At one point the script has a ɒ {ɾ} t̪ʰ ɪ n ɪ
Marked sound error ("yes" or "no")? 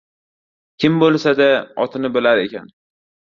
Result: yes